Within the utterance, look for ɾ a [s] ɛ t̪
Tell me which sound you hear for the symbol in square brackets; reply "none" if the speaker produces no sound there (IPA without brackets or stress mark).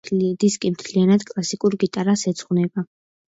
s